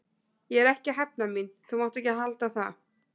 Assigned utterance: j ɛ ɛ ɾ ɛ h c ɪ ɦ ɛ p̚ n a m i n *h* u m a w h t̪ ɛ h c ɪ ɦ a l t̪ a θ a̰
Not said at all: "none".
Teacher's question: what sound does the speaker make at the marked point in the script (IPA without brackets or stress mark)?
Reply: θ